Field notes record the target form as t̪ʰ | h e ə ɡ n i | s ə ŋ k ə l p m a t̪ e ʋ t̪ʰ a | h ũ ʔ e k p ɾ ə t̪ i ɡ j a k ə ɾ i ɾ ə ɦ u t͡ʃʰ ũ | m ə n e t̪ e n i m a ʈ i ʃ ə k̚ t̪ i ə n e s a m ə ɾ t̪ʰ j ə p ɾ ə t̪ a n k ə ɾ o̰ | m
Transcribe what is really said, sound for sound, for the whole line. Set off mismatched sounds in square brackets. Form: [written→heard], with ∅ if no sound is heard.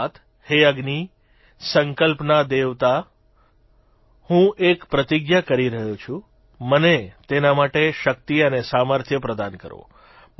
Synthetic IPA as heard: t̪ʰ | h e ə ɡ n i | s ə ŋ k ə l p [m→n] a [t̪→d̪] e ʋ [t̪ʰ→t̪] a | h ũ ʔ e k p ɾ ə t̪ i ɡ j a k ə ɾ i ɾ ə ɦ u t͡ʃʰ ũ | m ə n e t̪ e n [i→a] m a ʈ [i→e] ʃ ə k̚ t̪ i ə n e s a m ə ɾ t̪ʰ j ə p ɾ ə [t̪→d̪] a n k ə ɾ o̰ | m